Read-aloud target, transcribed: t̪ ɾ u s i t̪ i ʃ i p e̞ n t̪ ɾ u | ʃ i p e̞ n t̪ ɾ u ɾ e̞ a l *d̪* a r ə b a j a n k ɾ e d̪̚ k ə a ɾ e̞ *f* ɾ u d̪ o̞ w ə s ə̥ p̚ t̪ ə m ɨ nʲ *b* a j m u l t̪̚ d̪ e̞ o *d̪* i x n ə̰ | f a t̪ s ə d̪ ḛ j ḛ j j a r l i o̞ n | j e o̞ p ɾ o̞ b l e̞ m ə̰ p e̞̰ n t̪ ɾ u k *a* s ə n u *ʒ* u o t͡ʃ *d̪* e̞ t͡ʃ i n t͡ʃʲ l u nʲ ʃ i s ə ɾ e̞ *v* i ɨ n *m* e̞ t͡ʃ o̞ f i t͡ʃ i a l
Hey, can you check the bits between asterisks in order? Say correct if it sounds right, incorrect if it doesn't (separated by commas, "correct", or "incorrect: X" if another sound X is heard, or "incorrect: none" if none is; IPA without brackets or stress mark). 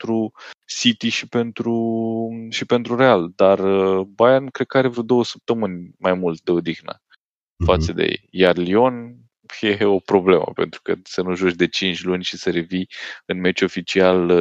correct, incorrect: v, incorrect: m, correct, incorrect: ə, correct, correct, correct, correct